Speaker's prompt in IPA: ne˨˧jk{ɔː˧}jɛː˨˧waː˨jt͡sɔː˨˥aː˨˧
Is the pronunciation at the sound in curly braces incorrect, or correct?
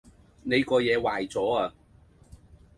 correct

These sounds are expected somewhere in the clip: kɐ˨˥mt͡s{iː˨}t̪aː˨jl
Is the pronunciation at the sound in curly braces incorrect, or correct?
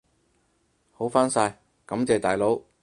incorrect: ɛː˨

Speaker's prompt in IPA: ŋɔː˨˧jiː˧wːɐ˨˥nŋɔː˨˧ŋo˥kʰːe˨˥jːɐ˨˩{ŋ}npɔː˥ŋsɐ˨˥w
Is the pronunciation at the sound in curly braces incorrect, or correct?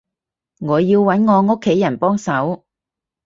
incorrect: none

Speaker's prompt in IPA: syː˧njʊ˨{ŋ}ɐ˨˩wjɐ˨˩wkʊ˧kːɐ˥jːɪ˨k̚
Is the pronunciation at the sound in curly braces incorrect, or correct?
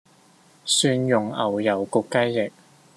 correct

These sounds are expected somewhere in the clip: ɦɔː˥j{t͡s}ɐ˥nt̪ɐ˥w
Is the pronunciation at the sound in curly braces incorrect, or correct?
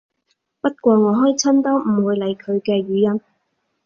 incorrect: t͡sʰ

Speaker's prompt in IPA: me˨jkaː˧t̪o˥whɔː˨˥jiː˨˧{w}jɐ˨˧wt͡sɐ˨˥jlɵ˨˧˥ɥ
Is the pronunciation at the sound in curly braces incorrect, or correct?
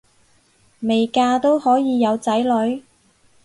incorrect: none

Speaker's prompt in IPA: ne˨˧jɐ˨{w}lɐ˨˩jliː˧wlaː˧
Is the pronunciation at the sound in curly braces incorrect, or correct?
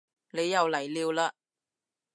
correct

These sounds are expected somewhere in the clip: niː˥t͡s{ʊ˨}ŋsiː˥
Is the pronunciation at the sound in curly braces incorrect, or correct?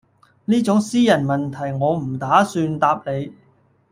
incorrect: ʊ˨˥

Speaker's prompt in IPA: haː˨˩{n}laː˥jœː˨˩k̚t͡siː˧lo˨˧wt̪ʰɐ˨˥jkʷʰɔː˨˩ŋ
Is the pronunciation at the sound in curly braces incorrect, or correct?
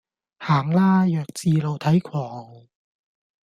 incorrect: ŋ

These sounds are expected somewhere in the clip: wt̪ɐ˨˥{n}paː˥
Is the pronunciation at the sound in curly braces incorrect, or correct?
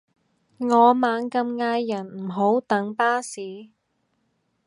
incorrect: ŋ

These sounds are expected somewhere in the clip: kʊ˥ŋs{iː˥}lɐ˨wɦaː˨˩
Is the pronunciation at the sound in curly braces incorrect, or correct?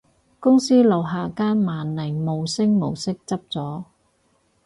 correct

